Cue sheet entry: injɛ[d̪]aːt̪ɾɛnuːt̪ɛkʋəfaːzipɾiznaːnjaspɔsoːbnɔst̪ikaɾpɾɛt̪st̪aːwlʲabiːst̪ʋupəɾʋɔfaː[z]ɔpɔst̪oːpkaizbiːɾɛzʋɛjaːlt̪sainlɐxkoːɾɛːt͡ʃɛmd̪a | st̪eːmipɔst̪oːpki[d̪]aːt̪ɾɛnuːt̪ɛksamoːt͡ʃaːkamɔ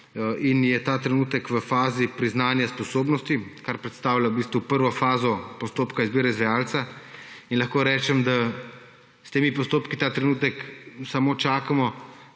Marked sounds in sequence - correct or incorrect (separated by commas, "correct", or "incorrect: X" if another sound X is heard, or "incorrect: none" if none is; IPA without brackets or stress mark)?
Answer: incorrect: t̪, correct, incorrect: t̪